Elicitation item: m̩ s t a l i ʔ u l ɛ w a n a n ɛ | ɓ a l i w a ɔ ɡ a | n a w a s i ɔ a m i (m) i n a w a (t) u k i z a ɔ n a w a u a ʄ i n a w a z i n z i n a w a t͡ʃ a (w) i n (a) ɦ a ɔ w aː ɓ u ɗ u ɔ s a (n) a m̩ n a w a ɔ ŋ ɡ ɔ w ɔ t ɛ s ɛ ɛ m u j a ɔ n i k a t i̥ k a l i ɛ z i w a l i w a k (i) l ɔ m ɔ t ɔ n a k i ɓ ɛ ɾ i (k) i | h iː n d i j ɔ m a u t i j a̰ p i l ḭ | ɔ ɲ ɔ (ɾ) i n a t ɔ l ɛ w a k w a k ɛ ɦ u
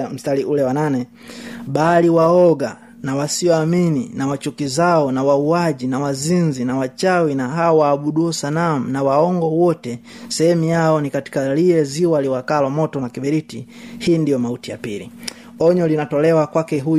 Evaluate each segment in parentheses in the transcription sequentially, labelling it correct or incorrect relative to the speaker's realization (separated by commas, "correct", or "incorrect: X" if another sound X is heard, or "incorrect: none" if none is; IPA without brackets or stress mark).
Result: incorrect: n, incorrect: t͡ʃ, correct, correct, correct, incorrect: a, incorrect: t, incorrect: l